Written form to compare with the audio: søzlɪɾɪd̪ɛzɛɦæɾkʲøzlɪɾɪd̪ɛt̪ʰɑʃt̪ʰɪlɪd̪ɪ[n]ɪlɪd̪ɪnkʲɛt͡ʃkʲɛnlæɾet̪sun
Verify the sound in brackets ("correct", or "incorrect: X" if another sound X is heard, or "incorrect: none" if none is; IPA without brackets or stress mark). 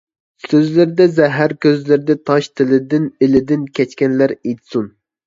correct